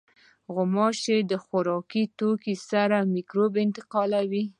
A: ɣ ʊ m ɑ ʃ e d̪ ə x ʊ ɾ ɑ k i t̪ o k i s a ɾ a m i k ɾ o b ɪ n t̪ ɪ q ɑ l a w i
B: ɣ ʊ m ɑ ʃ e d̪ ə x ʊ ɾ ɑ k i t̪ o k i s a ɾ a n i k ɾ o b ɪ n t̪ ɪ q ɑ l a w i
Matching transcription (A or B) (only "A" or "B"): A